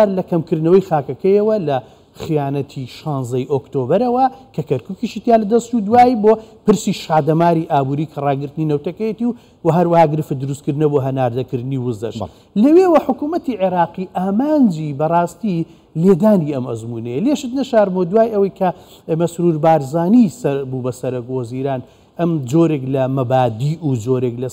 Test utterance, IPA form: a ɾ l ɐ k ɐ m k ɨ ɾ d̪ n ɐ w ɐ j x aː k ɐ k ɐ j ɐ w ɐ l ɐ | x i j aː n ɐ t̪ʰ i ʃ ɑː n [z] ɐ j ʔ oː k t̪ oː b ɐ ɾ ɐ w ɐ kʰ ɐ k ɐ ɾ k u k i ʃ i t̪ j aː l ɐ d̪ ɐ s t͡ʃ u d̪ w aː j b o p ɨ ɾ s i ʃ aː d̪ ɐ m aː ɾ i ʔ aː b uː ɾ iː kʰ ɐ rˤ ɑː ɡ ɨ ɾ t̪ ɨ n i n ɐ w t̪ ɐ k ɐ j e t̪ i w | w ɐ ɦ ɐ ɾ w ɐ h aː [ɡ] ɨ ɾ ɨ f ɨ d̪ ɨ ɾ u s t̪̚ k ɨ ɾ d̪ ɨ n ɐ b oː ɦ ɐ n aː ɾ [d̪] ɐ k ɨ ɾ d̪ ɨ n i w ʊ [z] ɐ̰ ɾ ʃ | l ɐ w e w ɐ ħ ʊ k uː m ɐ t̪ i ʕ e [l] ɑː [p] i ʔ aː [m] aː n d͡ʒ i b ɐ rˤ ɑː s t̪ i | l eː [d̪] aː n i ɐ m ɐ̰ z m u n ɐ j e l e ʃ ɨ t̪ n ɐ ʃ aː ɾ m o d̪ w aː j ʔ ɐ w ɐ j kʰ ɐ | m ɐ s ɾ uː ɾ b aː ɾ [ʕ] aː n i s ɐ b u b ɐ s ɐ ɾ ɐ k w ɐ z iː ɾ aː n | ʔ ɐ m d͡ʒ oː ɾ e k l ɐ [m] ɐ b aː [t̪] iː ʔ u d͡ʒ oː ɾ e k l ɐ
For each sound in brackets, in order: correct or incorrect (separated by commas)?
correct, correct, correct, correct, incorrect, incorrect, correct, correct, incorrect, correct, incorrect